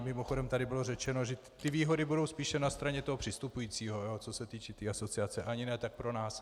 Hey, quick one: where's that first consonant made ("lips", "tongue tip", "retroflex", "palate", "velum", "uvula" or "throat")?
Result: lips